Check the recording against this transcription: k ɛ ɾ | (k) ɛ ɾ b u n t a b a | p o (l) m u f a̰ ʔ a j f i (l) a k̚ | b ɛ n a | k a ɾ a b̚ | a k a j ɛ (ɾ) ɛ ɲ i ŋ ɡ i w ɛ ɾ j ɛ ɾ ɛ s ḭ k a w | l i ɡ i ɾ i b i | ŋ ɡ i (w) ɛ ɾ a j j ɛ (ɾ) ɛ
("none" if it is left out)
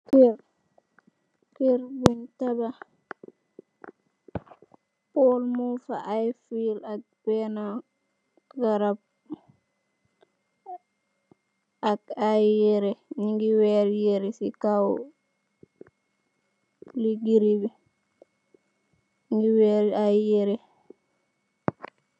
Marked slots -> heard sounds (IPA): k, l, l, ɾ, w, ɾ

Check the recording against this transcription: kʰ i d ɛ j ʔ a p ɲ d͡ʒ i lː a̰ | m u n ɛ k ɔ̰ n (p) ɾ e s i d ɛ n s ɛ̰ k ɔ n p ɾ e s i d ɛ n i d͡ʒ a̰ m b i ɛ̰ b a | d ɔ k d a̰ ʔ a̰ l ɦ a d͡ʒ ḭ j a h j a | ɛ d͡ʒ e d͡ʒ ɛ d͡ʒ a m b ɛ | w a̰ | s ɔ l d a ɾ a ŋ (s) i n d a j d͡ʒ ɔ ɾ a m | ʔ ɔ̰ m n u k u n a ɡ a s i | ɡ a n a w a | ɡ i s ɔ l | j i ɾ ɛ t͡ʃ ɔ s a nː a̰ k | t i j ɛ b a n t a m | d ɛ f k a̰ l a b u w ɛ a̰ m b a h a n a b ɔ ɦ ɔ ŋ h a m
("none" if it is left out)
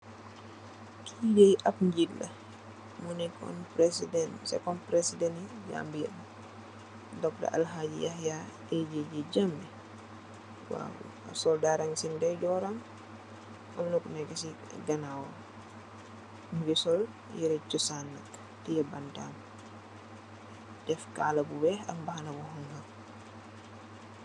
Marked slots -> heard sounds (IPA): p, s

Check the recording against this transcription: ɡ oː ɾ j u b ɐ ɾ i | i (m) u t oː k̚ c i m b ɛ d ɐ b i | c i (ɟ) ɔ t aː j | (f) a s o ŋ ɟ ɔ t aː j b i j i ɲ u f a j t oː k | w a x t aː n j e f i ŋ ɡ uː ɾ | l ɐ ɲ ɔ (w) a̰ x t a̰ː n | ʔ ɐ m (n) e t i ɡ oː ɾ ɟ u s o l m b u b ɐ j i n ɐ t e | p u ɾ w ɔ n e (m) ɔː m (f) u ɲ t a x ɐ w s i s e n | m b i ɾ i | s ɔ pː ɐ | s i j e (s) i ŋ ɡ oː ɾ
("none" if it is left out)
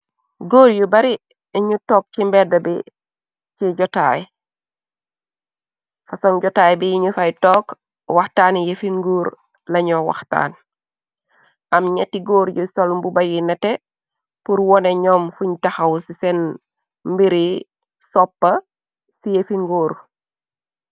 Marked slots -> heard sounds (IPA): ɲ, ɟ, f, w, ɲ, ɲ, f, f

